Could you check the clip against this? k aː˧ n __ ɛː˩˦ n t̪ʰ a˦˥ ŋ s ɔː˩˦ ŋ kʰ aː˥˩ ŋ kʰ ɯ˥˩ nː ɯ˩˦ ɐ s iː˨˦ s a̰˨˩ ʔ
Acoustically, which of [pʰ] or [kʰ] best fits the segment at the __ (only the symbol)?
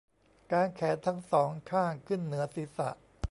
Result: kʰ